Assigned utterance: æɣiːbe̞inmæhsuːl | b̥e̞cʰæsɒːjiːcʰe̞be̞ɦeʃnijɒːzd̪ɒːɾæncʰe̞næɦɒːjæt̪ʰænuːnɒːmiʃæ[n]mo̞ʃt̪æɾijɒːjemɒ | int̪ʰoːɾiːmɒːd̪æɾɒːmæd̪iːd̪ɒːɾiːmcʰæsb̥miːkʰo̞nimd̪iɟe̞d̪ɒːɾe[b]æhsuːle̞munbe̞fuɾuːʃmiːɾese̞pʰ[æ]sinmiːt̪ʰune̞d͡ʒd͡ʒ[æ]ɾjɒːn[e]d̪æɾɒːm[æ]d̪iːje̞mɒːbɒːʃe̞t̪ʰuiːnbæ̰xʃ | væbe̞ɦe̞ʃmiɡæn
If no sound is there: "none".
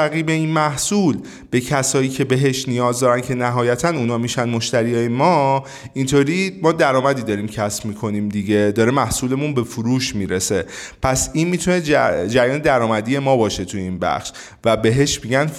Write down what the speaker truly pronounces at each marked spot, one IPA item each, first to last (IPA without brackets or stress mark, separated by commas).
n, m, æ, æ, e, æ